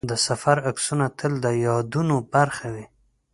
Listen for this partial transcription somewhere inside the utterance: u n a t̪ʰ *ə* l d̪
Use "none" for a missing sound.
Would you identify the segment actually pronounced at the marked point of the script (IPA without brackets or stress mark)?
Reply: ə